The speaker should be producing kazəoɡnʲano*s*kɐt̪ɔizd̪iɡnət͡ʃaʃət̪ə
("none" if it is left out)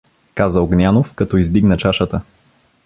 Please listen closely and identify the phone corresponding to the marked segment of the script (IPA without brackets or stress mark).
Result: f